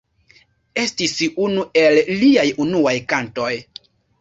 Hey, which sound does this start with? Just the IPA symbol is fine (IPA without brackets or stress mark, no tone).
e̞